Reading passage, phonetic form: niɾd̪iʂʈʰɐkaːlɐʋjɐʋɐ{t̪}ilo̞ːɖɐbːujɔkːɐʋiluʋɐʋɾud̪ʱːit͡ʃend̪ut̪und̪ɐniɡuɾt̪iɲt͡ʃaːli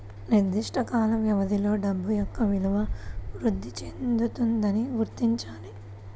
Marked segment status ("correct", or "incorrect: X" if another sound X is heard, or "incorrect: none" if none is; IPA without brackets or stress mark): incorrect: d̪